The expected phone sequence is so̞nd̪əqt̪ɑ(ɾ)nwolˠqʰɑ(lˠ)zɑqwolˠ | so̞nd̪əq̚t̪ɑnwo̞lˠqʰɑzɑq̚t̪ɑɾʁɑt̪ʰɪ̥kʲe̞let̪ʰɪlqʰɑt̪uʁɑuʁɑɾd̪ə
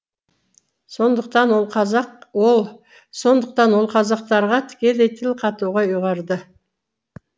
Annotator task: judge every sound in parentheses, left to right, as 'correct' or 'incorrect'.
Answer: incorrect, incorrect

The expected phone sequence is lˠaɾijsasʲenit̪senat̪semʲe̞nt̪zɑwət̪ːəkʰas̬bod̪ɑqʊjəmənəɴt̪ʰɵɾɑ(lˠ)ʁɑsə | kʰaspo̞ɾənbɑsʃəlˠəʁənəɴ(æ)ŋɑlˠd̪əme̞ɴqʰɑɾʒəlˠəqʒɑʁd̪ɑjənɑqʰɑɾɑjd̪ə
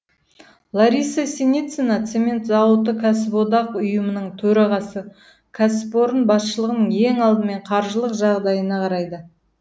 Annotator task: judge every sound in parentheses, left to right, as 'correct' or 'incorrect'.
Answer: incorrect, incorrect

